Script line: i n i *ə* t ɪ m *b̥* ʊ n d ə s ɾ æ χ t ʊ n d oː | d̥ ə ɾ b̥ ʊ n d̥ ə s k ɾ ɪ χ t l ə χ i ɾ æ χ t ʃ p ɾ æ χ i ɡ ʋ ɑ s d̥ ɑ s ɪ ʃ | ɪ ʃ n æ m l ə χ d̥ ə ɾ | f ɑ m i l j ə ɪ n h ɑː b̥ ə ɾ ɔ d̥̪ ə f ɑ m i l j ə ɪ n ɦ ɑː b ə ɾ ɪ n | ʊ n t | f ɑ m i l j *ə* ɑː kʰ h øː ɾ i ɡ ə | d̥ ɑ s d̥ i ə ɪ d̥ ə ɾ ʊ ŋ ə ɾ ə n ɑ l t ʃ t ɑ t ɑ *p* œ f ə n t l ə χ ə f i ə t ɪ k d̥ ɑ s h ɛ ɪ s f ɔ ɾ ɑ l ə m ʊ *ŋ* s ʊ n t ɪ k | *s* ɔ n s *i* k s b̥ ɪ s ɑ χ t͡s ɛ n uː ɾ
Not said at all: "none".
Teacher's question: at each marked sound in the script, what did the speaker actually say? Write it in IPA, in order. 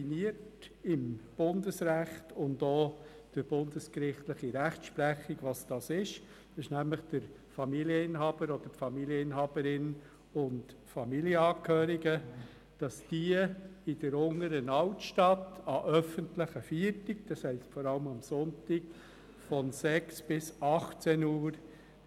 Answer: ə, b̥, ə, ʔ, m, f, ɛ

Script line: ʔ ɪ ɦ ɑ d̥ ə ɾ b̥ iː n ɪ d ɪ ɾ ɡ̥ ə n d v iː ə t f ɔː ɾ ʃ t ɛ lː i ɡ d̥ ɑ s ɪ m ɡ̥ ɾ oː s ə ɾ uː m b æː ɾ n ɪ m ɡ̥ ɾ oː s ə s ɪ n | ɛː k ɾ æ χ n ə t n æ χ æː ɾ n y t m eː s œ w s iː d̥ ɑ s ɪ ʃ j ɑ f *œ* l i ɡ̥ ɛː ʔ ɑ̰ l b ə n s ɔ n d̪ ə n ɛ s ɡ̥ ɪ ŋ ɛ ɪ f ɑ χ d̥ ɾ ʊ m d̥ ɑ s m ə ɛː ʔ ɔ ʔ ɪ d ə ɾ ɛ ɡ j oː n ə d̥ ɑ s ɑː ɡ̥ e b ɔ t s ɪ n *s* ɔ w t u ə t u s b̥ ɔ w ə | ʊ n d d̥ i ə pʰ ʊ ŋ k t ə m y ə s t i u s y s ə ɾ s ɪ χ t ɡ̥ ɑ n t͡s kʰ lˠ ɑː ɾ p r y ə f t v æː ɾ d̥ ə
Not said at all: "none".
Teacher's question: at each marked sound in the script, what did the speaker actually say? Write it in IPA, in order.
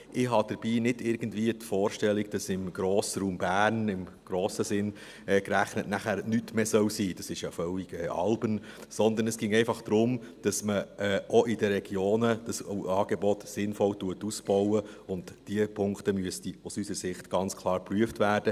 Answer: œ, f

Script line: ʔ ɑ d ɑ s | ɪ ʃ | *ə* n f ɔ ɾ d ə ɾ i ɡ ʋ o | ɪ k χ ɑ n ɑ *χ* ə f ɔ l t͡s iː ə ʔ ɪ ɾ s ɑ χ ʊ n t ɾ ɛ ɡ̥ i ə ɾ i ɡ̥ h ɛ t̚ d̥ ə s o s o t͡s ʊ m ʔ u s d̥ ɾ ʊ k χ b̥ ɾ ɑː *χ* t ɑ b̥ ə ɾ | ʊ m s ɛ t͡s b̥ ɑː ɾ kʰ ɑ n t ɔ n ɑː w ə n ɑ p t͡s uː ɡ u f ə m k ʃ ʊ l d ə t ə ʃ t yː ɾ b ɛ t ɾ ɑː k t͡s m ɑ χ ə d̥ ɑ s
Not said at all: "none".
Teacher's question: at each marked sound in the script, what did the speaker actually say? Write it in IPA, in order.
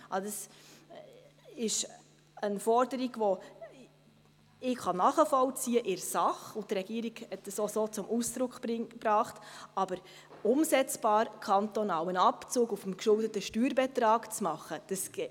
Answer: ə, χ, χ

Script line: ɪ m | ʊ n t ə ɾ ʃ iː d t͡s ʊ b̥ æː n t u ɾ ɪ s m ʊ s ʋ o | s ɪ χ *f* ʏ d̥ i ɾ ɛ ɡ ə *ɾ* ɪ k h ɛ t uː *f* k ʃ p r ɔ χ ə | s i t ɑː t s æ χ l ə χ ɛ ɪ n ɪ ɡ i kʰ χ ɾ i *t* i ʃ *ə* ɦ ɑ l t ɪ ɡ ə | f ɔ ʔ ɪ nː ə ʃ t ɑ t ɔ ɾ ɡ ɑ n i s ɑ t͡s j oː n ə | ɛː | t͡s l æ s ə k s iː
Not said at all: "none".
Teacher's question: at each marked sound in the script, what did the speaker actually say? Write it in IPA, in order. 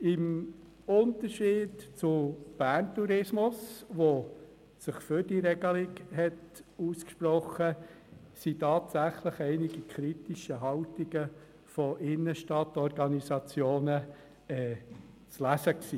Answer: f, l, s, t, ə

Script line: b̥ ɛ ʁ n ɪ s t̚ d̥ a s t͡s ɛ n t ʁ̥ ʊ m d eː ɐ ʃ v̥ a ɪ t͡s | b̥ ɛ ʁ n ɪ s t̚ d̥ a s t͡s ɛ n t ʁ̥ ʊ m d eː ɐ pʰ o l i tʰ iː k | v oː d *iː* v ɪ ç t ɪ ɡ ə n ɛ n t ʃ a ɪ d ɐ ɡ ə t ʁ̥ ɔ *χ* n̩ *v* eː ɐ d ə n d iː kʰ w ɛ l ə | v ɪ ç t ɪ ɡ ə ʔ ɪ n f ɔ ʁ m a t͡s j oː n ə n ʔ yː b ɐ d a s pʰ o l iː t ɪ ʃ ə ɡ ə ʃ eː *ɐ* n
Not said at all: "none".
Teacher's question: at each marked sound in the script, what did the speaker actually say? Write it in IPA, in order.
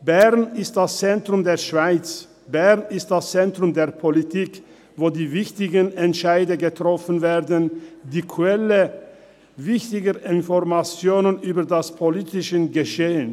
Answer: iː, f, v, ə

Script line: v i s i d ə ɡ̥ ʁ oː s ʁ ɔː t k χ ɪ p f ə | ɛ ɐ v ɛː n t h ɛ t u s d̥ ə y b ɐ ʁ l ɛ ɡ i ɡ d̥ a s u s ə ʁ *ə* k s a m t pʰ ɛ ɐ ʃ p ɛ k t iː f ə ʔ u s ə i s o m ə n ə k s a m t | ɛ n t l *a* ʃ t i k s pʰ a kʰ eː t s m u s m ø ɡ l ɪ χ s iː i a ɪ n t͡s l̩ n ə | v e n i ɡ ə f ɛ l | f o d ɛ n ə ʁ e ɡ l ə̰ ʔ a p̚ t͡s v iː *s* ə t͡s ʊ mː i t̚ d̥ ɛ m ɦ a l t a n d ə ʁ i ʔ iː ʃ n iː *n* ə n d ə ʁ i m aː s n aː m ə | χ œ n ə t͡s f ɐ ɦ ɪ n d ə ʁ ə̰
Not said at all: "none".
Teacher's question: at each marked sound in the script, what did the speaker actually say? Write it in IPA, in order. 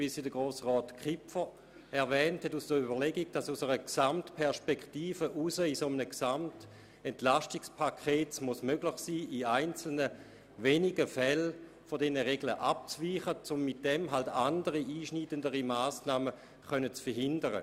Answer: ə, a, χ, d

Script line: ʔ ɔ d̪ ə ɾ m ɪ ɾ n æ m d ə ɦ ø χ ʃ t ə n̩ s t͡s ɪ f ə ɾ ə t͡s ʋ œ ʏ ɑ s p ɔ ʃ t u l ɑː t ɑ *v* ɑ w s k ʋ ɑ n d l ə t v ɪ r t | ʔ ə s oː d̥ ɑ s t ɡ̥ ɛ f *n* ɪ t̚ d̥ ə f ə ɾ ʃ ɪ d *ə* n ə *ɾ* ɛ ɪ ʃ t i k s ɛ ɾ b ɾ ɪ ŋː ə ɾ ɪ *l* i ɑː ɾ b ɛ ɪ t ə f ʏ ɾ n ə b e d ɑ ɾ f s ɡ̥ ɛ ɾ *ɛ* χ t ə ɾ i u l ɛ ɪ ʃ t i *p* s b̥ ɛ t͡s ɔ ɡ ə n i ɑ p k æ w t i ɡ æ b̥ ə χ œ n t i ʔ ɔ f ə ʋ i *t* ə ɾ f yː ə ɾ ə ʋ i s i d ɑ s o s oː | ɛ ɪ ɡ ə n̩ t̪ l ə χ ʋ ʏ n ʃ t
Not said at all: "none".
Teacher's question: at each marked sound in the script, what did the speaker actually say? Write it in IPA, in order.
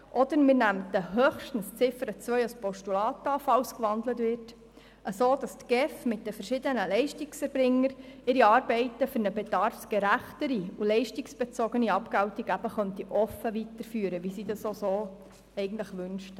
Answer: f, m, ə, l, ɾ, æ, k, t

